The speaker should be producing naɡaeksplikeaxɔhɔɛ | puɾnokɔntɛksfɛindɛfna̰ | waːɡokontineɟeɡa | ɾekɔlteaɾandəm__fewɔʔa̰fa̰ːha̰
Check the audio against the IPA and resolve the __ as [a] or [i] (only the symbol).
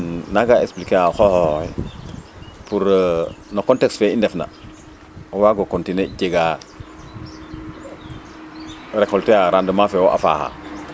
a